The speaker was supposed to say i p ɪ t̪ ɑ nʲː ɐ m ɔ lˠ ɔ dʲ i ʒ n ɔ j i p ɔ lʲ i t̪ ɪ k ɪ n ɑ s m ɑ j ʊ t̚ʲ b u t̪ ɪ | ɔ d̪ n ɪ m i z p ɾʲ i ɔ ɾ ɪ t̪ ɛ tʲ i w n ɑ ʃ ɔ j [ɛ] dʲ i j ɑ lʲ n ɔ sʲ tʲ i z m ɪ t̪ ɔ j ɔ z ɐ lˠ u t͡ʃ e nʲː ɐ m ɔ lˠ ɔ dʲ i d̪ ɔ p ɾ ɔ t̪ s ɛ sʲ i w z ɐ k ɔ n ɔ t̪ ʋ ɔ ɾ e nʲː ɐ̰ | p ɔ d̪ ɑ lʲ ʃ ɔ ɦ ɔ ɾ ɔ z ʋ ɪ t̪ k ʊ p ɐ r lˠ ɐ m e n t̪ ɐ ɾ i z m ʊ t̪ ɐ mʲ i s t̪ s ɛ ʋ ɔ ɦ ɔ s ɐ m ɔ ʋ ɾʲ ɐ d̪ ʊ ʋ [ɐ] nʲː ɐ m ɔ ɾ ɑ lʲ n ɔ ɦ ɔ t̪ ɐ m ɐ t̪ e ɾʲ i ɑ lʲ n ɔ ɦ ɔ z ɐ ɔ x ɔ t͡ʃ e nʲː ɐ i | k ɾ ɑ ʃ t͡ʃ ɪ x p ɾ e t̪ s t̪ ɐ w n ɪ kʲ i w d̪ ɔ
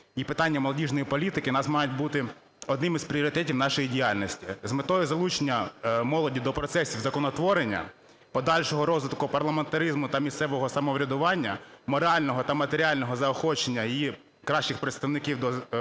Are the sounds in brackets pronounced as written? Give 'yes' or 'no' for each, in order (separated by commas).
no, no